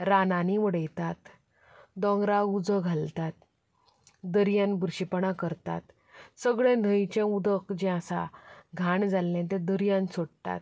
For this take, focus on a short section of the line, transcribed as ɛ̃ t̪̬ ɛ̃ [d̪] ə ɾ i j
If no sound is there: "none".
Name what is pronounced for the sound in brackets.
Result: d̪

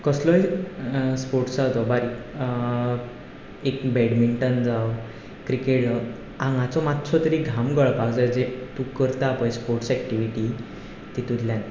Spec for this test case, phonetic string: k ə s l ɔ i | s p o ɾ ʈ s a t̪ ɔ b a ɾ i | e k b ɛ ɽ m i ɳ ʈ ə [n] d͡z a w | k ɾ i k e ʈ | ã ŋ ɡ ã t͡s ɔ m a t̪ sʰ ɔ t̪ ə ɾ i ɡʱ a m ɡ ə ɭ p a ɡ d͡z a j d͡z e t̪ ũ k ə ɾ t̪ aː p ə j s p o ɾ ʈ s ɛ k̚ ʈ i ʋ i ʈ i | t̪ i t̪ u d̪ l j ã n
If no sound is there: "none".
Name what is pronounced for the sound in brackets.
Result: n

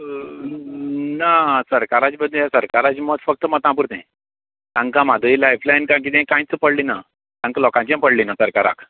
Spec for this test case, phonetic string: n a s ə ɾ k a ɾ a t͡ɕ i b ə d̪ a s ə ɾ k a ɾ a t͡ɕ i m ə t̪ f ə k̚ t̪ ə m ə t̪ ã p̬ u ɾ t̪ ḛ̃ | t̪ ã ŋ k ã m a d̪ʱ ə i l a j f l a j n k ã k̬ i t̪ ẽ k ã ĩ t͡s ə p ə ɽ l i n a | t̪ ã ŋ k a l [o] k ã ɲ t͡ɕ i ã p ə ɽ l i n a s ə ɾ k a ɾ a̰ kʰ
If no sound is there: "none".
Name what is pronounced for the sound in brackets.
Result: ɔ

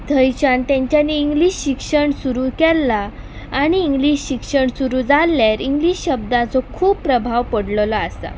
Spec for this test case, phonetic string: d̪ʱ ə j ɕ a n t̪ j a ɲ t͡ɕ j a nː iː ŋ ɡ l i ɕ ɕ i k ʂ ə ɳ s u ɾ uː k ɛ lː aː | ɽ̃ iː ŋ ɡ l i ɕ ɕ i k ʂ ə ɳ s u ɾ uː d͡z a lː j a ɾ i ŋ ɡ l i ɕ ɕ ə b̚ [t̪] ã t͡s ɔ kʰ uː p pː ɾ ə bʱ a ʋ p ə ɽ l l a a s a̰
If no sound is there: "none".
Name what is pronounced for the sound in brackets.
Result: d̪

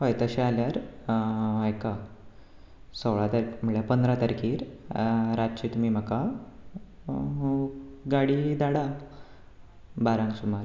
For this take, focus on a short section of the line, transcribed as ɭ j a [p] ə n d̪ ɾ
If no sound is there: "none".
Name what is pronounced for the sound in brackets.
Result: p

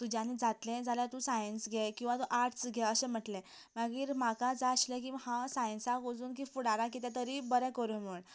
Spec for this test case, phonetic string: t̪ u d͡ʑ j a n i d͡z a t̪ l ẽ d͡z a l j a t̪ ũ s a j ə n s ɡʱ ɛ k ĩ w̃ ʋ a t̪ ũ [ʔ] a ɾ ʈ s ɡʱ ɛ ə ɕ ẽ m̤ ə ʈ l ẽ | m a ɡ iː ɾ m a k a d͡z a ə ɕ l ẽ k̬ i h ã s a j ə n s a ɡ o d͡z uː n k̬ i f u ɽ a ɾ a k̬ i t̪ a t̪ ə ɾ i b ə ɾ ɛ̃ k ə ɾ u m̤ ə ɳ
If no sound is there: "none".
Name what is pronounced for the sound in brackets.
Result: ʔ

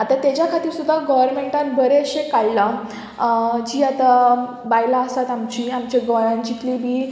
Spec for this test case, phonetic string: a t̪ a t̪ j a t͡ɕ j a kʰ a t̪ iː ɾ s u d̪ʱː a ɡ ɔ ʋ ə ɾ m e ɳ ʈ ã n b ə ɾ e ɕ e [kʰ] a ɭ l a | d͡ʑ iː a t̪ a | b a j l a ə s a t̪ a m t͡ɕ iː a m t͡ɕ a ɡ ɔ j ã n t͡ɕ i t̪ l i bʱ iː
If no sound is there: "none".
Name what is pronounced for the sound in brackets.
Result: k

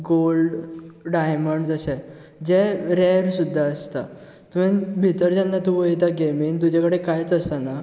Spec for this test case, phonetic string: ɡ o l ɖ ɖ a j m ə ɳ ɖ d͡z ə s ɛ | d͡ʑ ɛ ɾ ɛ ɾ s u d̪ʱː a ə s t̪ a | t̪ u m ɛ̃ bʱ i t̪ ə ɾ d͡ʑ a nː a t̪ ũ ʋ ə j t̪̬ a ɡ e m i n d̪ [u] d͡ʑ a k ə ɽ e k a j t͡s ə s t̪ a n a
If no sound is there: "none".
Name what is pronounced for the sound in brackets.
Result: u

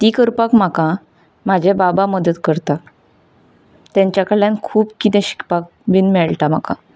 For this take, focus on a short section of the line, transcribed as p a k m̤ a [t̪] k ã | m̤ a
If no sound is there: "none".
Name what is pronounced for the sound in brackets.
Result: none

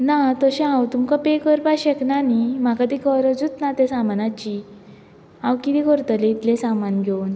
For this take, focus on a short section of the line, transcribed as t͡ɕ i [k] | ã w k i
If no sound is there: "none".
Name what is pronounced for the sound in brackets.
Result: none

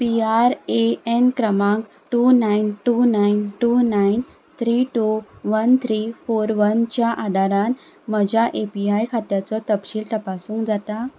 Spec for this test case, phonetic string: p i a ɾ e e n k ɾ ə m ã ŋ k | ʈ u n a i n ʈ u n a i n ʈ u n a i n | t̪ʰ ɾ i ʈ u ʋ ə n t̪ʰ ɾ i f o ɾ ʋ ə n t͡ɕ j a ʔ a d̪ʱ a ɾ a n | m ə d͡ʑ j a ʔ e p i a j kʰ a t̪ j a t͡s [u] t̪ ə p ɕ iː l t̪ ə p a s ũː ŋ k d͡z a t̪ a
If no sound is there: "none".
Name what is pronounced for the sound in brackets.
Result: ɔ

